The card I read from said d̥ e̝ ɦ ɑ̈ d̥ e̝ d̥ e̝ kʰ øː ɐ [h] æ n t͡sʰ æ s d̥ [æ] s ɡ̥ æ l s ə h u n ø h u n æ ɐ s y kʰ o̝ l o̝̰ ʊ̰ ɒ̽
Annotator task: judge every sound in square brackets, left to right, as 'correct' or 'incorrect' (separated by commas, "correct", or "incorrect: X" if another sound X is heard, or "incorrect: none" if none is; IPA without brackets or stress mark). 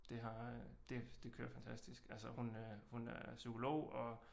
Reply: incorrect: f, incorrect: i